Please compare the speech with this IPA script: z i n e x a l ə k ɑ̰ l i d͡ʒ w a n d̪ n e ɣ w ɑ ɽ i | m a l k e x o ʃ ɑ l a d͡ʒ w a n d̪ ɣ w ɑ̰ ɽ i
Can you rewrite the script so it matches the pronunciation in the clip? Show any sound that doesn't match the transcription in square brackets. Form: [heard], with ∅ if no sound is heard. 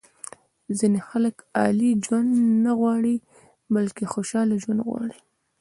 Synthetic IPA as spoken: z i n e x a l ə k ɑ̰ l i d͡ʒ w a n d̪ n [a] ɣ w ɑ ɽ i | [b] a l k e x o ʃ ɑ l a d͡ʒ w a n d̪ ɣ w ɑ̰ ɽ i